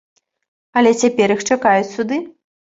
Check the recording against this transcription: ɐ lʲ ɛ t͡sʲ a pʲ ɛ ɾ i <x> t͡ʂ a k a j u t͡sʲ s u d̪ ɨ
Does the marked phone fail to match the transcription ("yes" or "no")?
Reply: no